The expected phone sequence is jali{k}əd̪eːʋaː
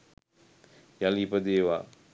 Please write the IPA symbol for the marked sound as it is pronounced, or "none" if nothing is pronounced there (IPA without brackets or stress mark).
p